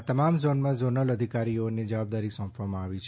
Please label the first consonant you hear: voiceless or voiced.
voiceless